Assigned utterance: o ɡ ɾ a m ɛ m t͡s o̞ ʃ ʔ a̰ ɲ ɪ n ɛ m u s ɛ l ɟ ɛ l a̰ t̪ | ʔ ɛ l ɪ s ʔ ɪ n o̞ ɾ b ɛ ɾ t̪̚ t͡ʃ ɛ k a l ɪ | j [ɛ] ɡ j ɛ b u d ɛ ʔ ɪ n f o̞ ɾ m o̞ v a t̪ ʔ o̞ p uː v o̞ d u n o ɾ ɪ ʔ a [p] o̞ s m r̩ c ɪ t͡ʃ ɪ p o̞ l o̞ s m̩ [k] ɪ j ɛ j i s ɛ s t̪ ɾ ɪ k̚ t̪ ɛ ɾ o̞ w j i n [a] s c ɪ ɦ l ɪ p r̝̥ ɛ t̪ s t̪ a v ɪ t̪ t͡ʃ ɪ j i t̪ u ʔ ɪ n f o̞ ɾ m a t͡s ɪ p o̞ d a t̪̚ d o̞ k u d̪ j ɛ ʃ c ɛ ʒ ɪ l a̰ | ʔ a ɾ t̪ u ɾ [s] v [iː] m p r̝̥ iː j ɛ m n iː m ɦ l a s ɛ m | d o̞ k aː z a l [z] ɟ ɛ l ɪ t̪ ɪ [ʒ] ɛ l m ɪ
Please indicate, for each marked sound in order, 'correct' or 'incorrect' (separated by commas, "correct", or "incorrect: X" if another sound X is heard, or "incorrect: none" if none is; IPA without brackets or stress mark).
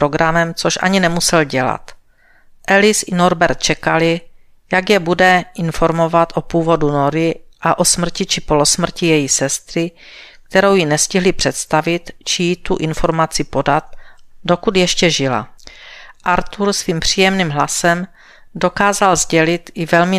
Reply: incorrect: a, incorrect: ʔ, incorrect: c, incorrect: ɛ, correct, correct, correct, incorrect: v